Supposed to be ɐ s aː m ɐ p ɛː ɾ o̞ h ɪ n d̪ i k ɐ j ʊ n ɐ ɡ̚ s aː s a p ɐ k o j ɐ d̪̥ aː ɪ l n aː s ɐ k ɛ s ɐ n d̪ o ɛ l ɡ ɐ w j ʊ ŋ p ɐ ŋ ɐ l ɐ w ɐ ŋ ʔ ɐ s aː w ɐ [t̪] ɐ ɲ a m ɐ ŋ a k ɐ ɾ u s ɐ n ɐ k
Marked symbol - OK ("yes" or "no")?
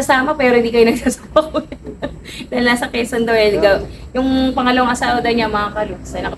no